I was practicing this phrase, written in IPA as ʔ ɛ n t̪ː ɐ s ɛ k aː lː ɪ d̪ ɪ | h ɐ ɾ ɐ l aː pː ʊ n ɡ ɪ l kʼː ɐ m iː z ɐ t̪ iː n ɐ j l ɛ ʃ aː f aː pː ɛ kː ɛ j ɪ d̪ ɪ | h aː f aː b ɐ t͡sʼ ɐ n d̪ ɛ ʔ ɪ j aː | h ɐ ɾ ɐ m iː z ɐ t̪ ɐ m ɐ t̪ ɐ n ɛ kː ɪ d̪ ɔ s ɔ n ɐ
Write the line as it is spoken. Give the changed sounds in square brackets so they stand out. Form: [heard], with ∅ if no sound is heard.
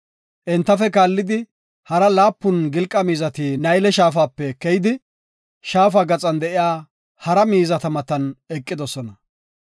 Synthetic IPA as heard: ʔ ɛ n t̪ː ɐ [f] ɛ k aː lː ɪ d̪ ɪ | h ɐ ɾ ɐ l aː pː ʊ n ɡ ɪ l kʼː ɐ m iː z ɐ t̪ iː n ɐ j l ɛ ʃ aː f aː pː ɛ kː ɛ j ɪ d̪ ɪ | [ʃ] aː f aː [ɡ] ɐ t͡sʼ ɐ n d̪ ɛ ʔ ɪ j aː | h ɐ ɾ ɐ m iː z ɐ t̪ ɐ m ɐ t̪ ɐ n ɛ [kʼː] ɪ d̪ ɔ s ɔ n ɐ

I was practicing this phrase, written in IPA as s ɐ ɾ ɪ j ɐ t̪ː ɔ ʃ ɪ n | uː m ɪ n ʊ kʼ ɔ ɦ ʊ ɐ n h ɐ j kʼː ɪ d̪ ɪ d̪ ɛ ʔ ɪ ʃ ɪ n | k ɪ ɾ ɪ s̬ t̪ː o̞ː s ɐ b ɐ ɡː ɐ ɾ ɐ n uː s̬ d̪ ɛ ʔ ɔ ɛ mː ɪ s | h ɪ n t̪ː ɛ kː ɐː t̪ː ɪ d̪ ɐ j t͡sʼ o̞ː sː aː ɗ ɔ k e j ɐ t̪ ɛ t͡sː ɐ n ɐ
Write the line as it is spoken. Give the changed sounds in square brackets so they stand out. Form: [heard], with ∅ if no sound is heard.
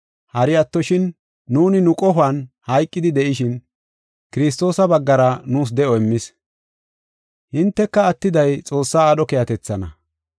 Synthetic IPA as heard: [h] ɐ ɾ ɪ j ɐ t̪ː ɔ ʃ ɪ [nː] | uː [n] ɪ n ʊ kʼ ɔ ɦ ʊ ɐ n h ɐ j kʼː ɪ d̪ ɪ d̪ ɛ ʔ ɪ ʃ ɪ n | k ɪ ɾ ɪ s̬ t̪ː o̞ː s ɐ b ɐ ɡː ɐ ɾ ɐ n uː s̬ d̪ ɛ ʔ ɔ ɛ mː ɪ s | h ɪ n t̪ː ɛ kː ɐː t̪ː ɪ d̪ ɐ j t͡sʼ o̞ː sː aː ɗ ɔ k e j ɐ t̪ ɛ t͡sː ɐ n ɐ

